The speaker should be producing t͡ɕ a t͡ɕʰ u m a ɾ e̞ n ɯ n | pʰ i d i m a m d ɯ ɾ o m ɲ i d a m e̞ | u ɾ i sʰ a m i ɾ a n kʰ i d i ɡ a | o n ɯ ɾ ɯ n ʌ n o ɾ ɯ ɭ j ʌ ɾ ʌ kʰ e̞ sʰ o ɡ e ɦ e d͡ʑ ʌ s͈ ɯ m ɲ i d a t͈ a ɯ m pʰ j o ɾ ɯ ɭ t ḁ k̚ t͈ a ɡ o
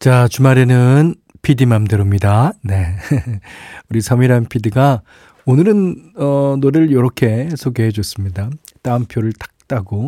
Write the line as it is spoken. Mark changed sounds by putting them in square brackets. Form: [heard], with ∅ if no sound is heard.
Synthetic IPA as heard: t͡ɕ a [t͡ɕ] u m a ɾ e̞ n ɯ n | pʰ i d i m a m d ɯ ɾ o m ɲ i d a [n] e̞ | u ɾ i sʰ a m i ɾ a n [pʰ] i d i ɡ a | o n ɯ ɾ ɯ n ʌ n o ɾ ɯ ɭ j ʌ ɾ ʌ kʰ e̞ sʰ o ɡ e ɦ e d͡ʑ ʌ s͈ ɯ m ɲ i d a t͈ a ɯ m pʰ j o ɾ ɯ ɭ t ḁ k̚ t͈ a ɡ o